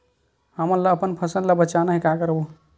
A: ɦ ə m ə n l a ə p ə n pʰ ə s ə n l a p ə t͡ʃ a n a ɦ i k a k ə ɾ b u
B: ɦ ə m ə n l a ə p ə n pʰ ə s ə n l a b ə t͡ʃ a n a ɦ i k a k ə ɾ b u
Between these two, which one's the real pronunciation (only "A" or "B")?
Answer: B